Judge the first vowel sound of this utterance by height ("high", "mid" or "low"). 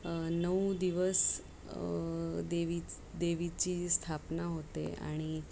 mid